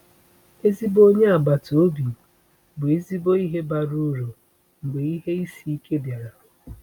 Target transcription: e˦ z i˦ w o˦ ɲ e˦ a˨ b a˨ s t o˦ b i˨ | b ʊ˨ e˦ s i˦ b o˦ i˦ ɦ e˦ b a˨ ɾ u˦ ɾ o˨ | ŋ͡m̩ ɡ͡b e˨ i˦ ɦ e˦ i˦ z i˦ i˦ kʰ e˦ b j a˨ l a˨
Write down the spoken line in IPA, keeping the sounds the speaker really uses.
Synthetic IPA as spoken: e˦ z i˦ b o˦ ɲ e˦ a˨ b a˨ t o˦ b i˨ | b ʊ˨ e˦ z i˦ b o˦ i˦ ɦ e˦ b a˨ ɾ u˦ ɾ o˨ | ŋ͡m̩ ɡ͡b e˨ i˦ ɦ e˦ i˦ s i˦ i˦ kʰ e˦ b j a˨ ɾ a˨